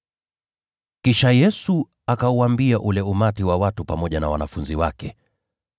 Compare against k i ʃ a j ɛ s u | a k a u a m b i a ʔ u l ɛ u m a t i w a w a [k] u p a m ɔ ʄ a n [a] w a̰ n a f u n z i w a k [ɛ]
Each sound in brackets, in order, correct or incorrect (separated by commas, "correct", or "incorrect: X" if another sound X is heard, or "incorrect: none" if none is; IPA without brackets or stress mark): incorrect: t, correct, correct